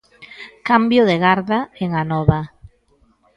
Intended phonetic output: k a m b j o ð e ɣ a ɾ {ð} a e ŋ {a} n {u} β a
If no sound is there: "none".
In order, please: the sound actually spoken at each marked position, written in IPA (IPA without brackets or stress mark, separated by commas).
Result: ð, a, ɔ